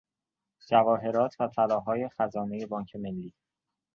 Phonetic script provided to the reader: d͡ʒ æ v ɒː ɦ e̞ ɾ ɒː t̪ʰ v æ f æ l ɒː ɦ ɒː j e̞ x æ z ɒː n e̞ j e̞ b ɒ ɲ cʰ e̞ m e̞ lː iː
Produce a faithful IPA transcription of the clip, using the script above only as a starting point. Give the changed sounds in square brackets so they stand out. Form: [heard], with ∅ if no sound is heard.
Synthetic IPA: d͡ʒ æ v ɒː ɦ e̞ ɾ ɒː t̪ʰ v æ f æ l ɒː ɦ ɒː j e̞ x æ z ɒː n e̞ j e̞ b [ɒː] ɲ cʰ e̞ m e̞ lː iː